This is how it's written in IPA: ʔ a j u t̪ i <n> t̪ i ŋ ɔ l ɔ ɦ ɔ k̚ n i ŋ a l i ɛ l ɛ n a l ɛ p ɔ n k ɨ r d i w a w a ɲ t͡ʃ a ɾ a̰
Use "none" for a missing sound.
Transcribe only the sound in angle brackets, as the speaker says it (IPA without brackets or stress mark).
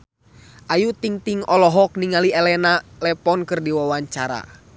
ŋ